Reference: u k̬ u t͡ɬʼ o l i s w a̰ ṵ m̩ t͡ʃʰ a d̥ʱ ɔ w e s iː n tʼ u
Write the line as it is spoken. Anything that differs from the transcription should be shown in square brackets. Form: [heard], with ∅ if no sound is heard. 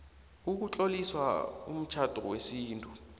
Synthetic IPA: u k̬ u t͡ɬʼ o l i s w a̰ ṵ m̩ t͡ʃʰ a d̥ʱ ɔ w e s iː n tʼ u